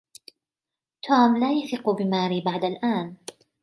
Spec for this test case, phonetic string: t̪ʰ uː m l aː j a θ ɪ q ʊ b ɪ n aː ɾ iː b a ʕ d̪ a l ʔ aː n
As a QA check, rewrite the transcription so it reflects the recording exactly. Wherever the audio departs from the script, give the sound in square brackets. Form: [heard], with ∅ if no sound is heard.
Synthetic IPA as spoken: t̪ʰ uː m l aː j a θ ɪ q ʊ b ɪ [m] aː ɾ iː b a ʕ d̪ a l ʔ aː n